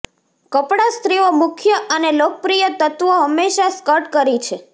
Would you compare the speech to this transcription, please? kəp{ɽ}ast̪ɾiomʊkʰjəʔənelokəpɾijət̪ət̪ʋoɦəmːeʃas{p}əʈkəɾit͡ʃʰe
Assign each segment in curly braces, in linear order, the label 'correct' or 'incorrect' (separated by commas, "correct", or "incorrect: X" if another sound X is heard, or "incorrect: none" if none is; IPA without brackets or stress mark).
correct, incorrect: k